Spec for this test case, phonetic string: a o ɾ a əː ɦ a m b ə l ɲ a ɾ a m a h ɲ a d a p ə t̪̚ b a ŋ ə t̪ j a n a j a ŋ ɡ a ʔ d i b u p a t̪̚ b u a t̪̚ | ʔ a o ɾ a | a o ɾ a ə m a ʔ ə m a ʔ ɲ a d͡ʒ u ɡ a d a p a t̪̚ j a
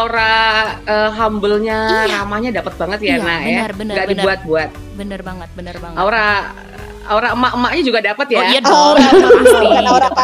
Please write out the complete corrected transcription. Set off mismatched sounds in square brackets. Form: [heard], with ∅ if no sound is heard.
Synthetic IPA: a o ɾ a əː ɦ a m b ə l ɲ a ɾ a m a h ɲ a d a p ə t̪̚ b a ŋ ə t̪ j a n a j a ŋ ɡ a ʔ d i b u [∅] a t̪̚ b u a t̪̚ | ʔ a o ɾ a | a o ɾ a ə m a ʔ ə m a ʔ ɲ a d͡ʒ u ɡ a d a p [ə] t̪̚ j a